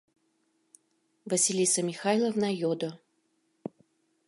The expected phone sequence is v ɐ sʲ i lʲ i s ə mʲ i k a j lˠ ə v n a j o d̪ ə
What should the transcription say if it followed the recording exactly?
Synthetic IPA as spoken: v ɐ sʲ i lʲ i s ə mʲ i x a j lˠ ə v n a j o d̪ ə